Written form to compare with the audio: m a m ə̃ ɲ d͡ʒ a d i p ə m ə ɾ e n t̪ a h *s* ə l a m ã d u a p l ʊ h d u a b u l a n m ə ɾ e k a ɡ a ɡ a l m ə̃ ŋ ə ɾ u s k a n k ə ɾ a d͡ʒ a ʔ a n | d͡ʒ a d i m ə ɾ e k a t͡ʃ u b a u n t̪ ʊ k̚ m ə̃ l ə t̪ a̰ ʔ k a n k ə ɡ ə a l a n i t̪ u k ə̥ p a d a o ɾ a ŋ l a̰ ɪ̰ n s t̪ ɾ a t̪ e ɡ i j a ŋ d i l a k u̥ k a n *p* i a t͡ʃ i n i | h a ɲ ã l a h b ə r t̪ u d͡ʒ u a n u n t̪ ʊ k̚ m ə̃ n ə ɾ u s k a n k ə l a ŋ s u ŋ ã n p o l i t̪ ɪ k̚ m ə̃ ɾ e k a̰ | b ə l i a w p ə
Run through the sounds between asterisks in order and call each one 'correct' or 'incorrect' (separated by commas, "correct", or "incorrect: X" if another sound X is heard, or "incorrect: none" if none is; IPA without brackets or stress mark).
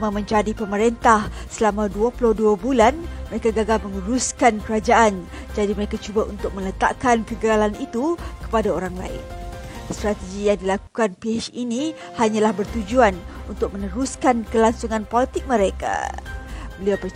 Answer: correct, correct